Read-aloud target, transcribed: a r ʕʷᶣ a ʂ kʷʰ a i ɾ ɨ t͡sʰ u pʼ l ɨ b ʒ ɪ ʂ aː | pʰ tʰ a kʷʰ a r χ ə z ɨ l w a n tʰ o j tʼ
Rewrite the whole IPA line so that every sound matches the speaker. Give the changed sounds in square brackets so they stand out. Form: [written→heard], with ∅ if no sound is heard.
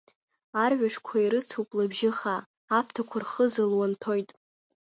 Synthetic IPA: a r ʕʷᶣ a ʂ kʷʰ a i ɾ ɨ t͡sʰ u pʼ l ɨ b ʒ ɪ [ʂ→χ] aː | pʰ tʰ a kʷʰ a r χ ə z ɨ l w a n tʰ o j tʼ

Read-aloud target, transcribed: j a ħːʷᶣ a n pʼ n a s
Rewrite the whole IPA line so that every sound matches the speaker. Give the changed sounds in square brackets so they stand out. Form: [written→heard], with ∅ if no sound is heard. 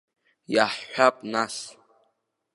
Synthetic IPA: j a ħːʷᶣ a [n→∅] pʼ n a s

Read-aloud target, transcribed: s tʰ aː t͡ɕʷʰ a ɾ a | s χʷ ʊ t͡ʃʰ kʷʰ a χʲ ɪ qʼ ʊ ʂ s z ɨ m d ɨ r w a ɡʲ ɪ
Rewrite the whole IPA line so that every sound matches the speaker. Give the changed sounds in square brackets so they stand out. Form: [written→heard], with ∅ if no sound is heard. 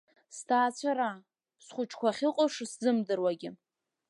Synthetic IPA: s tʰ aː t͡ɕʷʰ a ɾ a | s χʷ ʊ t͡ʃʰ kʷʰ a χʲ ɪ qʼ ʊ ʂ s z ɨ m d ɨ r w a ɡʲ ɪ

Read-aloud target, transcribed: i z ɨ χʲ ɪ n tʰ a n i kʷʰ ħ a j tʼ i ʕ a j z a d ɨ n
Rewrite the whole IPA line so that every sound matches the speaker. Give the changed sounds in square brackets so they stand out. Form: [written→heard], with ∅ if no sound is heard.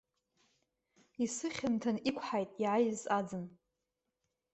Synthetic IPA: i [z→s] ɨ χʲ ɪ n tʰ a n i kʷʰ ħ a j tʼ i ʕ a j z a [d→d͡z] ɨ n

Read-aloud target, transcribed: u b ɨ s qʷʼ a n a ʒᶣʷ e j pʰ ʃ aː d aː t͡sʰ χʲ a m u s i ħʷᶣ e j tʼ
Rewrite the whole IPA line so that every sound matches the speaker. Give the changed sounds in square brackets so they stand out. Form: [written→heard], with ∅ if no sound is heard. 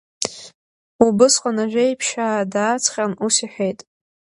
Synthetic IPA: u b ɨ s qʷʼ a n a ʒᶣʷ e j pʰ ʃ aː d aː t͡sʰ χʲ a [m→n] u s i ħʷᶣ e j tʼ

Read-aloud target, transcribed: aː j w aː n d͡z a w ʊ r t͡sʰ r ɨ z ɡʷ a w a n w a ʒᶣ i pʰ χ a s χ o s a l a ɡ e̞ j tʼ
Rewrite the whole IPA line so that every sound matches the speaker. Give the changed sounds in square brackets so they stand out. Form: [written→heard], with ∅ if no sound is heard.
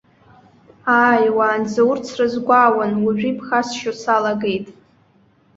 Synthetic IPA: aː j w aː n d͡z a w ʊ r t͡sʰ r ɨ z ɡʷ a w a n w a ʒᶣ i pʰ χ a s [χ→ʃ] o s a l a ɡ e̞ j tʼ

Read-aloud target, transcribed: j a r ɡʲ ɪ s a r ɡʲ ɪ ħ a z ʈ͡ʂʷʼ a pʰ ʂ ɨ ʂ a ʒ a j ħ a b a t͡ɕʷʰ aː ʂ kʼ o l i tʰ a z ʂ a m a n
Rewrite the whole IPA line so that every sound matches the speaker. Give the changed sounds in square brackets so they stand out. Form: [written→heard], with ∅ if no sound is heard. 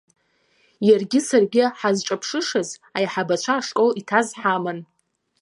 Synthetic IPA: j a r ɡʲ ɪ s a r ɡʲ ɪ ħ a z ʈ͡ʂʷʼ a pʰ ʂ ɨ ʂ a [ʒ→z] a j ħ a b a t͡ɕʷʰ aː ʂ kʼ o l i tʰ a z [ʂ→ħ] a m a n

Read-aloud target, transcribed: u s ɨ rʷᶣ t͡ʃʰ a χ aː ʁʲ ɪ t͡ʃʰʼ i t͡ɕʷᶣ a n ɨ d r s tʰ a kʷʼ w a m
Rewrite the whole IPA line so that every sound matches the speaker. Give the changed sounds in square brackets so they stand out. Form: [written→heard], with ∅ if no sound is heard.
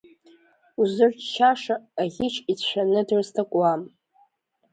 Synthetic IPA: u [s→z] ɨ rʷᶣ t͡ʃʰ a [χ→ʂ] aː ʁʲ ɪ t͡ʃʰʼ i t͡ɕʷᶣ a n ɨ d r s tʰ a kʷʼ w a m

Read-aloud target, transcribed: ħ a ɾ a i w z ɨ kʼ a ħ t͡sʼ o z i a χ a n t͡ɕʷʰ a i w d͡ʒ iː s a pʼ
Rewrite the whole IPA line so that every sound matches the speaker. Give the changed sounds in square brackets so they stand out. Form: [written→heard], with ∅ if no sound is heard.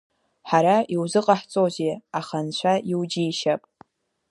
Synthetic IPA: ħ a ɾ a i w z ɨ [kʼ→qʼ] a ħ t͡sʼ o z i a χ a n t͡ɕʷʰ a i w d͡ʒ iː [s→ʃ] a pʼ

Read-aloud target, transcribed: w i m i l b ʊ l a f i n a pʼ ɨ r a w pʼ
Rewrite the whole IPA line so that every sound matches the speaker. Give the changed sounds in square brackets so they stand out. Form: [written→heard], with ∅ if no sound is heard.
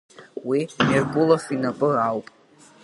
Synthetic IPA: w i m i [l→r] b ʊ l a f i n a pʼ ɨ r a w pʼ

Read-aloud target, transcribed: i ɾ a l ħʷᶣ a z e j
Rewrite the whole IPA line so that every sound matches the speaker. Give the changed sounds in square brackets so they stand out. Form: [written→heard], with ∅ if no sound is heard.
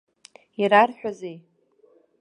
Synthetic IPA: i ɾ a [l→r] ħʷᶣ a z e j

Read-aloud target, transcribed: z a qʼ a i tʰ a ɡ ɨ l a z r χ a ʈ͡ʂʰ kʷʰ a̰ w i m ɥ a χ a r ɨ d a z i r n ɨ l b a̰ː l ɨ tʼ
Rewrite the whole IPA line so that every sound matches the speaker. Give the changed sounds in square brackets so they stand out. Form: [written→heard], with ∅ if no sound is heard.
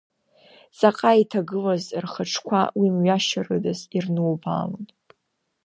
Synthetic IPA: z a qʼ a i tʰ a ɡ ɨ l a z r χ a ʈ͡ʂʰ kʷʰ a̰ w i m ɥ a [χ→ʃ] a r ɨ d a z i r n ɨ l b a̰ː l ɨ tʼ

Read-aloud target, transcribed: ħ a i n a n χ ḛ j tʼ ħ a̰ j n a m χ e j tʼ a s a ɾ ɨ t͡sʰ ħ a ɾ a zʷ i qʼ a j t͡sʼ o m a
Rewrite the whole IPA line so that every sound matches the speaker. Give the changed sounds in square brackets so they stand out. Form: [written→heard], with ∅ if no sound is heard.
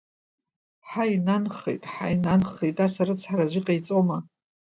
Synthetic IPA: ħ a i n a n χ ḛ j tʼ ħ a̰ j n a [m→n] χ e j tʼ a s a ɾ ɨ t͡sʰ ħ a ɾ a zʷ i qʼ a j t͡sʼ o m a

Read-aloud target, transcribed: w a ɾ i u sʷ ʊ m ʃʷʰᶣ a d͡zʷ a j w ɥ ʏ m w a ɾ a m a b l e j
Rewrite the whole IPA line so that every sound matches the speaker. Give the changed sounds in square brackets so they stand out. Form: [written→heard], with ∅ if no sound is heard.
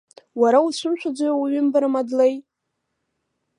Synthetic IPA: w a ɾ [i→a] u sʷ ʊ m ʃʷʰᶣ a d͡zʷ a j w ɥ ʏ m [w→b] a ɾ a m a [b→d] l e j

